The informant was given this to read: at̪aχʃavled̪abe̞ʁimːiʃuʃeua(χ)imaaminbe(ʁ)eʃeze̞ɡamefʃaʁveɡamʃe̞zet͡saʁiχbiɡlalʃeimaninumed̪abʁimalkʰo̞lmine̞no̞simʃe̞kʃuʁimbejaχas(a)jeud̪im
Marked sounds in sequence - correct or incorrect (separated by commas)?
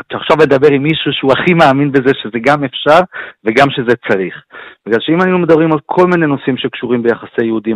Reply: correct, incorrect, incorrect